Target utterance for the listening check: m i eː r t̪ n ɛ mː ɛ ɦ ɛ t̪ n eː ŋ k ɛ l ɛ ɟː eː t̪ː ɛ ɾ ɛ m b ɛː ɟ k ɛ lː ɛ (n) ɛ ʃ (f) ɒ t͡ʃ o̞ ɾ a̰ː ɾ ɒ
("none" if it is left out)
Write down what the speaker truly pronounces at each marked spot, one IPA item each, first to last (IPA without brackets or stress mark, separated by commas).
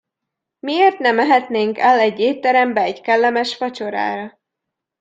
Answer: m, f